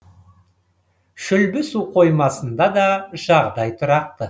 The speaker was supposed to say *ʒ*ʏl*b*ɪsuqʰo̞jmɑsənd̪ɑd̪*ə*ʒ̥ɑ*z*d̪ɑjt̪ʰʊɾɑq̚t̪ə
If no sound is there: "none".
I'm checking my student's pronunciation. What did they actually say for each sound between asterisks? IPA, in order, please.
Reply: ʃ, b, ɑ, ʁ

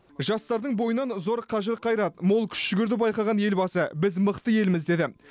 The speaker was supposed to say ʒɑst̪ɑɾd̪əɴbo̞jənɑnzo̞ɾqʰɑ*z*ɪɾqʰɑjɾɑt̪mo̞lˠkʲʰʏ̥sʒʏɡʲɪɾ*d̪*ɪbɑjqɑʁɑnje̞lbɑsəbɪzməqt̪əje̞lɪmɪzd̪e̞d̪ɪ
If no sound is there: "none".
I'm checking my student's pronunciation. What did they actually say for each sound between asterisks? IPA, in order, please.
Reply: ʒ, d̪

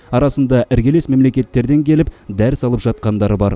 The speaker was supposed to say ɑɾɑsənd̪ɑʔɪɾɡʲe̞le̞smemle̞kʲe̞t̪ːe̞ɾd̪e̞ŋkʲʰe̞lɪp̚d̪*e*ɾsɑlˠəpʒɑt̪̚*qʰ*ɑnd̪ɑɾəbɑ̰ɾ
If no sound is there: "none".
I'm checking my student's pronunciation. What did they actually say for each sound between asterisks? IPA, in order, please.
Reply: æ, q

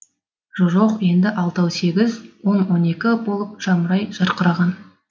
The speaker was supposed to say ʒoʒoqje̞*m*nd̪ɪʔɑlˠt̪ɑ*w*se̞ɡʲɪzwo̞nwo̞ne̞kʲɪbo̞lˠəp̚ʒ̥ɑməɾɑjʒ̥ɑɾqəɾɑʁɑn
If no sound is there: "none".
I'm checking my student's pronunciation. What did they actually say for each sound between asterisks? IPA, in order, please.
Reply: none, w

